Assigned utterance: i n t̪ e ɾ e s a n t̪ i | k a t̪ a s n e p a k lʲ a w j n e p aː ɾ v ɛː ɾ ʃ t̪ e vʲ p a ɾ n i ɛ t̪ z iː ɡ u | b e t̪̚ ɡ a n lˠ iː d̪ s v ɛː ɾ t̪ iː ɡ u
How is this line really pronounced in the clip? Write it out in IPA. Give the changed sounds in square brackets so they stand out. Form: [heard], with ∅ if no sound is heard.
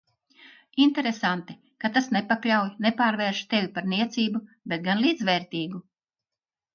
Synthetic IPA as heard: i n t̪ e ɾ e s a n t̪ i | k a t̪ a s n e p a k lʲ a w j n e p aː ɾ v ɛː ɾ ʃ t̪ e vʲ p a ɾ n i ɛ t̪ [s] iː [b] u | b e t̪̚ ɡ a n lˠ iː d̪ [z] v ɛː ɾ t̪ iː ɡ u